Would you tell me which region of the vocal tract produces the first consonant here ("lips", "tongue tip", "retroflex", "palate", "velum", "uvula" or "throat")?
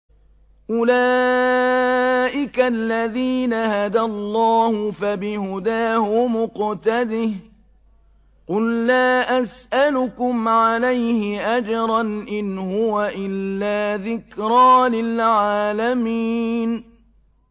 throat